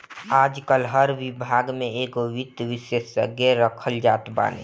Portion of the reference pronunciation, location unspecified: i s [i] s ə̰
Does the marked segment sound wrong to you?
yes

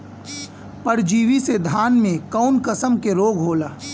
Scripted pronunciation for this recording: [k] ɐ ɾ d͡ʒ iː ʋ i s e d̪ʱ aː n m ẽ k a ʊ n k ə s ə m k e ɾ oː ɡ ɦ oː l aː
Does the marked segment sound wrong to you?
yes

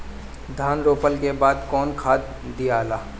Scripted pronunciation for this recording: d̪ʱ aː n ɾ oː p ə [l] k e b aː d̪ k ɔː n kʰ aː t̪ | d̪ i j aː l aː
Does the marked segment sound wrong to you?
no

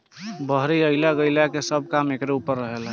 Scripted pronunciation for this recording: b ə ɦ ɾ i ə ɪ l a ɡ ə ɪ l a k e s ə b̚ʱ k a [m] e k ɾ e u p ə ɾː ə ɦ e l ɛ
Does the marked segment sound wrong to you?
no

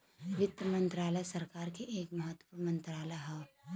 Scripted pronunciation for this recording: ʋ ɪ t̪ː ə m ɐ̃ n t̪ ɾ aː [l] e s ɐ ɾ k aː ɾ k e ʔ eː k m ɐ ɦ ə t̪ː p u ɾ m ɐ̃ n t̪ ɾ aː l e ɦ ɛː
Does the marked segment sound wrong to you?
no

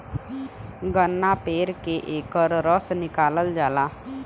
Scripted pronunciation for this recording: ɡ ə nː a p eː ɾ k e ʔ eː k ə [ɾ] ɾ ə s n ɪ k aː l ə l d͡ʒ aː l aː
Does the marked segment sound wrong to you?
no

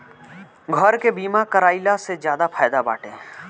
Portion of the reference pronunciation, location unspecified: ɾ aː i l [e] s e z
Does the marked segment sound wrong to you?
yes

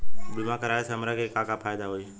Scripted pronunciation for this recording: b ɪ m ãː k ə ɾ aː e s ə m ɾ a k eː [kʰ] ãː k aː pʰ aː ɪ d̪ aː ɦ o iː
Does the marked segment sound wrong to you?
yes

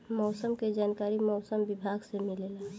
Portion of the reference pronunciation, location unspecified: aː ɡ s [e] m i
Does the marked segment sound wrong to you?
no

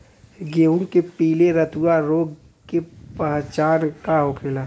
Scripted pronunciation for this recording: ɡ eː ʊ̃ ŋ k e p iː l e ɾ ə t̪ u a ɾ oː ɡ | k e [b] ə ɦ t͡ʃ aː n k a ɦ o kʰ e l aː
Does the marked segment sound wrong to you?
yes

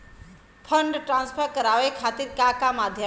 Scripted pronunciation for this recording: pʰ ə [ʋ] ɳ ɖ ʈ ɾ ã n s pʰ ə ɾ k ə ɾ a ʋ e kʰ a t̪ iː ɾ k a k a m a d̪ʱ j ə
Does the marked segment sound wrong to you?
yes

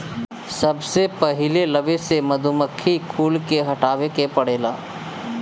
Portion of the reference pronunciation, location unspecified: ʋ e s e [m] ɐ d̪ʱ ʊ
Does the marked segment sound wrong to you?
no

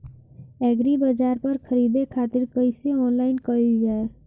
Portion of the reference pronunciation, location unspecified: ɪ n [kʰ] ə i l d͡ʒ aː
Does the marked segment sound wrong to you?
yes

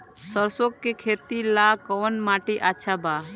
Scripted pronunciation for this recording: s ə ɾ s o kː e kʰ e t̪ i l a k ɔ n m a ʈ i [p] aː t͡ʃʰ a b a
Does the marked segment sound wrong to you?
yes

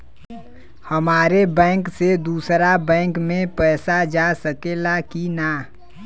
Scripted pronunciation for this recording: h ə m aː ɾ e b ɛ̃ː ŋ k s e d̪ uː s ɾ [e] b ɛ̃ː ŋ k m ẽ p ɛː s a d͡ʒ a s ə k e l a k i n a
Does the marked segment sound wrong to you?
yes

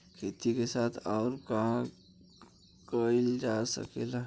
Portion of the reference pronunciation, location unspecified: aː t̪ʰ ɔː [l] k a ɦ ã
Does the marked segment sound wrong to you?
yes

